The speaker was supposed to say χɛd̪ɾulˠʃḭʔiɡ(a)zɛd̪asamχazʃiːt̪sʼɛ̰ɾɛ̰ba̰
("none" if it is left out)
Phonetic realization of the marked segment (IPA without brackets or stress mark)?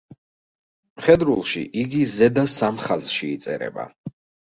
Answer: i